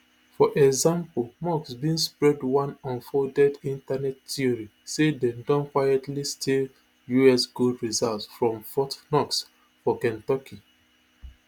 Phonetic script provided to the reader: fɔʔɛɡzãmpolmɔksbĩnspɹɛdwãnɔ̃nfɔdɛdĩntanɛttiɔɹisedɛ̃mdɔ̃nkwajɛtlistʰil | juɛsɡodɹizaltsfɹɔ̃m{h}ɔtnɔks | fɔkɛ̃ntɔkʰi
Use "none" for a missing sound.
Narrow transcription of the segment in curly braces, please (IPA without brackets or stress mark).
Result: f